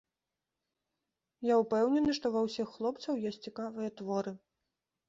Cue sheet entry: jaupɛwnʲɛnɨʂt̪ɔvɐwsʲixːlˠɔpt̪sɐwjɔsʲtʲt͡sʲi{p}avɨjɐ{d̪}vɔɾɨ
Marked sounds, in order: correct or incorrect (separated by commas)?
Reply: incorrect, incorrect